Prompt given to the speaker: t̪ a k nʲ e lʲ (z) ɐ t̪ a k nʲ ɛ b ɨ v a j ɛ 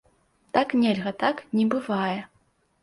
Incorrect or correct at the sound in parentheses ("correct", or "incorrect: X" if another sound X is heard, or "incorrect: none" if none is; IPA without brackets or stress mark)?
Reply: incorrect: ɣ